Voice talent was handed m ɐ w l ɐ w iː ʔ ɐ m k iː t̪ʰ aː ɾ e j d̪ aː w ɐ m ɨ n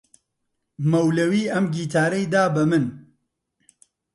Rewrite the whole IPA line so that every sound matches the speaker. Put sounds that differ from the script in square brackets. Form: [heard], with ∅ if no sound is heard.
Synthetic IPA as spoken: m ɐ w l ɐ w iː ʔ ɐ m [ɡ] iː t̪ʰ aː ɾ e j d̪ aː [b] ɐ m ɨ n